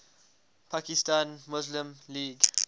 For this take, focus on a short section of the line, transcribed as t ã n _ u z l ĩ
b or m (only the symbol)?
m